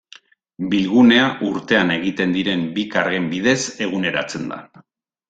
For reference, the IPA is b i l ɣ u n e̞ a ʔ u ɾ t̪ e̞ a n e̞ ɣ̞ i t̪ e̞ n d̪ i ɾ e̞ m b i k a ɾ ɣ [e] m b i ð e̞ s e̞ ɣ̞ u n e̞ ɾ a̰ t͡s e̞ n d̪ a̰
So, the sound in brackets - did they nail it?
yes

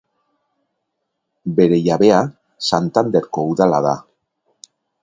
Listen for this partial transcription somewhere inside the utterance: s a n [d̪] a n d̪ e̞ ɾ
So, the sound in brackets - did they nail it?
no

